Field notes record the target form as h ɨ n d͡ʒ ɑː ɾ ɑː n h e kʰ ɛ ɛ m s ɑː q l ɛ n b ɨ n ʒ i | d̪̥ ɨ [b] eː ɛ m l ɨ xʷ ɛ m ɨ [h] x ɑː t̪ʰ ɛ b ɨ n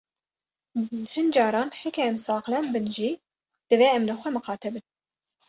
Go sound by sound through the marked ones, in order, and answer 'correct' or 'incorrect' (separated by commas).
incorrect, incorrect